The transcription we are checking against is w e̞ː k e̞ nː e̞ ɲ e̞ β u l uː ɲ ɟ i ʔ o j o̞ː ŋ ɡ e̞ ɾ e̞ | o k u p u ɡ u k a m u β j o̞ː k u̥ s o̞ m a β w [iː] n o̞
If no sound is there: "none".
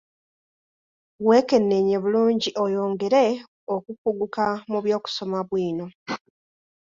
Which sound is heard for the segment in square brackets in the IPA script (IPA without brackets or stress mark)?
iː